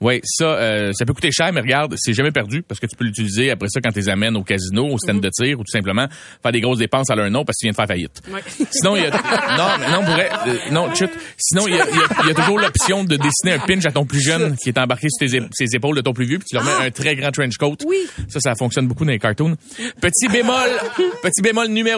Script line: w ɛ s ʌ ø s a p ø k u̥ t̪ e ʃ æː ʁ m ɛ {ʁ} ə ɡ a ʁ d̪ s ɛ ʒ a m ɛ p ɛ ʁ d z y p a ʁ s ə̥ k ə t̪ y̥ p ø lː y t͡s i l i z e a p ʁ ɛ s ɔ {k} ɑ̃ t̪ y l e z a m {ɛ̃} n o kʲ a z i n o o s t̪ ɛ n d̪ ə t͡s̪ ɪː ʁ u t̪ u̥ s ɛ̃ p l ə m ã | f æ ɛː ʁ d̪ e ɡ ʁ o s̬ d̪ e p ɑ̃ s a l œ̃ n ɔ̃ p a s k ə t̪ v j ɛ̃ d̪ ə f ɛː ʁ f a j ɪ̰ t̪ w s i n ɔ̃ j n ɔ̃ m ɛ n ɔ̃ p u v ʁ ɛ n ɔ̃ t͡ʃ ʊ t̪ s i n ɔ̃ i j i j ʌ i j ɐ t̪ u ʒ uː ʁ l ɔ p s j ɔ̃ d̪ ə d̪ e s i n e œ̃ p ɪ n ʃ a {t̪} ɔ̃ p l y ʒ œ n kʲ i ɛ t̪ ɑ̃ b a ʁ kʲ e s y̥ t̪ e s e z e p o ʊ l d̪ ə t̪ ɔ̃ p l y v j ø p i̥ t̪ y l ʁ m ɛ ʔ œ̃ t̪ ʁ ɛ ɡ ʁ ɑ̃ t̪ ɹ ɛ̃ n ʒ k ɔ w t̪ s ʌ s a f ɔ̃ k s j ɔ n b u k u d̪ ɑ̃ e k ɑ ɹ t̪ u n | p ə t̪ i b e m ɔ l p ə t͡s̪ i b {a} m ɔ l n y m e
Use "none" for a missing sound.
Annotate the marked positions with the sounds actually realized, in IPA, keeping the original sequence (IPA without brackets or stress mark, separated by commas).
ʁ, k, ɛ, t̪, e